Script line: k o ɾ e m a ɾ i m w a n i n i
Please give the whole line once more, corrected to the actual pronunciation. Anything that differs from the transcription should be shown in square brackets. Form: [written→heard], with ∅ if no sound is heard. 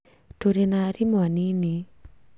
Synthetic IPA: [k→t] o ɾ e [m→n] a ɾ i m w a n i n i